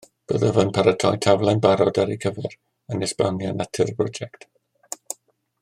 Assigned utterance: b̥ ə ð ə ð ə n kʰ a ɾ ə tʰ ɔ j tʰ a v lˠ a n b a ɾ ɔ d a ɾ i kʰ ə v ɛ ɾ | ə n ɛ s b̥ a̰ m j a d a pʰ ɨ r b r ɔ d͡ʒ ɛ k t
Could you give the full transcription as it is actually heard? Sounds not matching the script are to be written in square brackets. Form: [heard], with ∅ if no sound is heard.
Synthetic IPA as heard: b̥ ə ð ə [v] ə n [pʰ] a ɾ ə tʰ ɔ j tʰ a v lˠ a n b a ɾ ɔ d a ɾ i kʰ ə v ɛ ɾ | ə n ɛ s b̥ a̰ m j a [n] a [tʰ] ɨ r b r ɔ d͡ʒ ɛ k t